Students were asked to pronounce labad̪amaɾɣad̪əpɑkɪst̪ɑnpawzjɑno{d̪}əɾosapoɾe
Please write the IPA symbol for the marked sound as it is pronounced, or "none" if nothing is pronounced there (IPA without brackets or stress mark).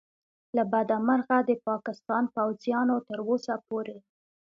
t̪